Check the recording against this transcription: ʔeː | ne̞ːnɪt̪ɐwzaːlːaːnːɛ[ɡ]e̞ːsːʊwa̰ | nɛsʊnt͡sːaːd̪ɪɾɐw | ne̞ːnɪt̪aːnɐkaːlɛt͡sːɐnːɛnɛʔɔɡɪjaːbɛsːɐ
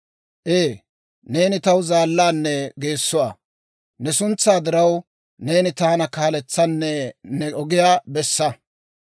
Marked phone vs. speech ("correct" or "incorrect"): correct